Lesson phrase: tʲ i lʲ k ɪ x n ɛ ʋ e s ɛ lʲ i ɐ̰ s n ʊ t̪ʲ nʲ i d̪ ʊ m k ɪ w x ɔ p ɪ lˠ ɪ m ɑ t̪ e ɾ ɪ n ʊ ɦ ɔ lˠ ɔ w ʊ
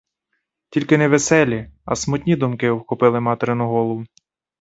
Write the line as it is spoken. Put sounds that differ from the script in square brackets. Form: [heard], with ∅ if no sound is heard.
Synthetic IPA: tʲ i lʲ k ɪ [∅] n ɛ ʋ e s ɛ lʲ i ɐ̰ s [m] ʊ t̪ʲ nʲ i d̪ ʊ m k ɪ w x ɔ p ɪ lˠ ɪ m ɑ t̪ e ɾ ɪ n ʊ ɦ ɔ lˠ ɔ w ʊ